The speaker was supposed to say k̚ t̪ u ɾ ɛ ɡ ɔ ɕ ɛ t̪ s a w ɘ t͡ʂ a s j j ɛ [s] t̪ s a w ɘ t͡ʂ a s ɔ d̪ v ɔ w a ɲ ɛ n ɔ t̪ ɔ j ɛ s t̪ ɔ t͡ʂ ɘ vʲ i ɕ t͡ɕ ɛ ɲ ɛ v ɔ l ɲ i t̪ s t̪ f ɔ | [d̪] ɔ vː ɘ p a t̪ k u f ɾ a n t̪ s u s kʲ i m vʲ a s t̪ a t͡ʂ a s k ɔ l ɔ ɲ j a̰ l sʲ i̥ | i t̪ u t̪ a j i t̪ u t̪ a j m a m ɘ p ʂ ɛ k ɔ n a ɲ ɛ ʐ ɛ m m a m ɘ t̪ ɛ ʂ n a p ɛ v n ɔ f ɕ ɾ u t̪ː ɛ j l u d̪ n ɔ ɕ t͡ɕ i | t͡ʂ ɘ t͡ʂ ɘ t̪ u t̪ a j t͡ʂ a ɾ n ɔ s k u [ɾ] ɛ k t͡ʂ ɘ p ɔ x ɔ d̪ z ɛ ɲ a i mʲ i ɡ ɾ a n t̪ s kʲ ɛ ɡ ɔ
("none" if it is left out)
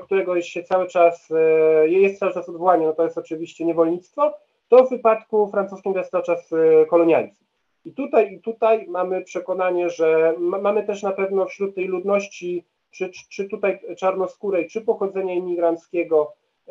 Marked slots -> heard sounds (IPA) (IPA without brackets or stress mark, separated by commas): s, t̪, ɾ